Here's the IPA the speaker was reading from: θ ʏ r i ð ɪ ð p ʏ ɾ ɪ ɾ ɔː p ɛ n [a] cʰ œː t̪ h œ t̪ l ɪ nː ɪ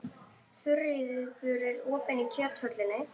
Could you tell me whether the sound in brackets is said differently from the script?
yes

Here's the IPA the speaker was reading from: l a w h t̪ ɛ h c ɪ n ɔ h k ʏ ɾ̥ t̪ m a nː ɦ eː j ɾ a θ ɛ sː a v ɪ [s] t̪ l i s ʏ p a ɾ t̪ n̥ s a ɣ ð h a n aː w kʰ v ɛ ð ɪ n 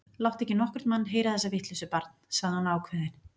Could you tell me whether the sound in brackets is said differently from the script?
yes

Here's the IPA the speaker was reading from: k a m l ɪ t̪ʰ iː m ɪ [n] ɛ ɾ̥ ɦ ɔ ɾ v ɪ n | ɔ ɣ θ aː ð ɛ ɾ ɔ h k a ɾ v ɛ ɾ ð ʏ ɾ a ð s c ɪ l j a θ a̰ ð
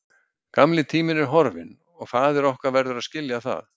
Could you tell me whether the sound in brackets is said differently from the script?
no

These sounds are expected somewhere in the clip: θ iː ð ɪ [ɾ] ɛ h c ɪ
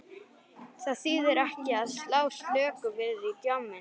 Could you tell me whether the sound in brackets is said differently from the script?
no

